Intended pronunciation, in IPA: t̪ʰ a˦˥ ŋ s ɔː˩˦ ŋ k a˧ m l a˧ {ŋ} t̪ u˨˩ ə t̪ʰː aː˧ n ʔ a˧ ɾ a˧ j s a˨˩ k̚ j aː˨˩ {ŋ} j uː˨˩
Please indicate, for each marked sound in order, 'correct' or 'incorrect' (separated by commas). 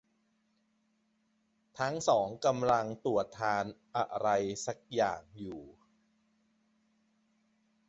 correct, correct